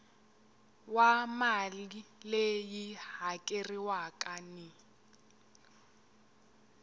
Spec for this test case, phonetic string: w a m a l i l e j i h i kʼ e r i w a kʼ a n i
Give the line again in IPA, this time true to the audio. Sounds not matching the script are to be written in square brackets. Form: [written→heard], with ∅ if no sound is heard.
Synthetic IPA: w a m a l i l e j i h [i→a] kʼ e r i w a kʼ a n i